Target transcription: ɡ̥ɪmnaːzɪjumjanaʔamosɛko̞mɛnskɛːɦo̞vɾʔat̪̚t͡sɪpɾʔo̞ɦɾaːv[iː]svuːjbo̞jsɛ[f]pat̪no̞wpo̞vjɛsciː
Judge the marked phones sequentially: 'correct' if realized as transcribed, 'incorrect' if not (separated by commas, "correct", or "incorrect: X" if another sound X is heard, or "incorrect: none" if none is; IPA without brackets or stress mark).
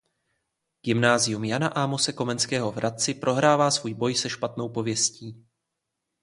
incorrect: aː, incorrect: ʃ